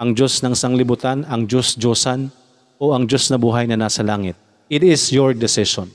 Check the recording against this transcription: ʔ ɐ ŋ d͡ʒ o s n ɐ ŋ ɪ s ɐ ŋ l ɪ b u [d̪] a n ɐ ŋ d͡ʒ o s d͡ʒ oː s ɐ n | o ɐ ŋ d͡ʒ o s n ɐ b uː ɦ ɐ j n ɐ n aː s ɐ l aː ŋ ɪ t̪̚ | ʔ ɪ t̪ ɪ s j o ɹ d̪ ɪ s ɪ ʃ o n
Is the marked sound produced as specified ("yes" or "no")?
no